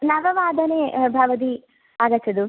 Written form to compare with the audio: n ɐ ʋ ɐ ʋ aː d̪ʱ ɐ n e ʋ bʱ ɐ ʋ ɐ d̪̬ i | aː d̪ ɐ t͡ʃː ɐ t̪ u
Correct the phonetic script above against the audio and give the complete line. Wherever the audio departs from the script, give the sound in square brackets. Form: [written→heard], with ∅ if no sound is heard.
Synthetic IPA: n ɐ ʋ ɐ ʋ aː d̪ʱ ɐ n e [ʋ→∅] bʱ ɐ ʋ ɐ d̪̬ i | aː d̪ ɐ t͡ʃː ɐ [t̪→d̪] u